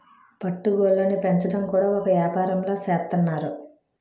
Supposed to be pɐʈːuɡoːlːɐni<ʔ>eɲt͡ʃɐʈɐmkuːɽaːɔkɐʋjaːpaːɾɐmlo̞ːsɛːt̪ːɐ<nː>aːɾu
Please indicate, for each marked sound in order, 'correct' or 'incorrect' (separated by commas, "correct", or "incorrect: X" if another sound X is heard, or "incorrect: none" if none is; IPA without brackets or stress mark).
incorrect: p, correct